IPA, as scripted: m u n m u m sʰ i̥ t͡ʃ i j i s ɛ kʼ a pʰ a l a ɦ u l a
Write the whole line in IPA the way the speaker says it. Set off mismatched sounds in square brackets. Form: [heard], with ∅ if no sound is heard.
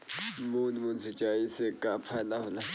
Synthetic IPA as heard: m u n m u [n] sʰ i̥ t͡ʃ [a] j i s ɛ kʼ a pʰ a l a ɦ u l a